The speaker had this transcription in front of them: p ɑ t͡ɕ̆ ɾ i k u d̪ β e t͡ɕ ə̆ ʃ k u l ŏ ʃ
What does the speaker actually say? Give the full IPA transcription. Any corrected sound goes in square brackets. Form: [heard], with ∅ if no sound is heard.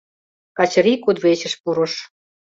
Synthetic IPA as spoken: [k] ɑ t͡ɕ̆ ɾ i k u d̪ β e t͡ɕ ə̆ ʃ [p] u [ɾ] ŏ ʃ